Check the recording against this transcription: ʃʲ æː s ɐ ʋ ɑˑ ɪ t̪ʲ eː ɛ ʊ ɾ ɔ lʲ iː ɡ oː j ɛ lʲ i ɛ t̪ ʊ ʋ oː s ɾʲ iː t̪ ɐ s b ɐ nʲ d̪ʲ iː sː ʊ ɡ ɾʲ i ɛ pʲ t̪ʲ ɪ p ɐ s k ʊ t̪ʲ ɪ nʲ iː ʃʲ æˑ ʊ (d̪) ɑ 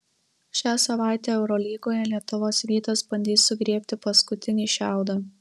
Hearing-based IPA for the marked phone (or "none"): d̪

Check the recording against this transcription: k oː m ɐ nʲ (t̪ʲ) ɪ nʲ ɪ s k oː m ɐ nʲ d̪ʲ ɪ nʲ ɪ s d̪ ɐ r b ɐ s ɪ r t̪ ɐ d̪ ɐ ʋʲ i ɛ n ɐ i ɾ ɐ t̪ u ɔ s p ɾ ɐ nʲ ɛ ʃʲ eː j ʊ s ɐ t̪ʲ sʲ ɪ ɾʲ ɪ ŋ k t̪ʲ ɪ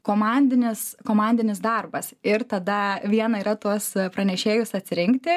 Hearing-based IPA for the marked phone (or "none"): d̪ʲ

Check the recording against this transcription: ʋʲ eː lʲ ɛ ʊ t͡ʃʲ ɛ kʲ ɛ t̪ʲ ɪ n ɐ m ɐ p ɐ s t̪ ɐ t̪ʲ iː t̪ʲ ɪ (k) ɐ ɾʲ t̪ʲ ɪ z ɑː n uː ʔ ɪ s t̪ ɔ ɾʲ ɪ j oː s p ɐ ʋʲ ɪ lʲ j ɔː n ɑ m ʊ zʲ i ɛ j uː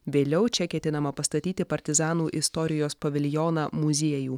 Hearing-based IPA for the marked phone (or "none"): p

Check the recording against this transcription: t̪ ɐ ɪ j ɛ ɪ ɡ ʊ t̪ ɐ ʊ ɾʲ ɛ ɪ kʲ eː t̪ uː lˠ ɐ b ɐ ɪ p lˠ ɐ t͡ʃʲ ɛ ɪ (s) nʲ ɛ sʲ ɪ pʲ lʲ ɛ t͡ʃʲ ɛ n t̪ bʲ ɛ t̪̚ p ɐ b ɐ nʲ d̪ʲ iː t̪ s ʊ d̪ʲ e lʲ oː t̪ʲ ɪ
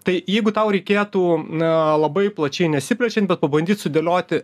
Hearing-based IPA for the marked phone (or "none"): none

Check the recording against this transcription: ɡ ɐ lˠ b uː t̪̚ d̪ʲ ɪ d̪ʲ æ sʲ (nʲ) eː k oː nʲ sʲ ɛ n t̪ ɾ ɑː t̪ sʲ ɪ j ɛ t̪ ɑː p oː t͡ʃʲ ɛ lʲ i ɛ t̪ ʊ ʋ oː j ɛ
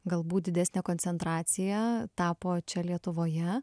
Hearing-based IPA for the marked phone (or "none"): nʲ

